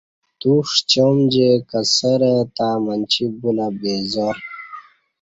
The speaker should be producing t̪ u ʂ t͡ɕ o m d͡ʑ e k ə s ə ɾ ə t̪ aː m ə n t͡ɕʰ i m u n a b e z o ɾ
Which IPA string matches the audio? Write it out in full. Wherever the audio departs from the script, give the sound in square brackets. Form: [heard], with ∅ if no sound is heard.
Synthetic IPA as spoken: t̪ u ʂ t͡ɕ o m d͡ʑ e k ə s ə ɾ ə t̪ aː m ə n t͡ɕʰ i [b] u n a b e z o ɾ